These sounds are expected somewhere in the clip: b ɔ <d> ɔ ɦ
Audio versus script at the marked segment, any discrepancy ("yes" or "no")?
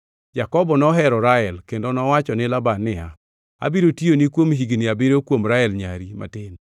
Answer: yes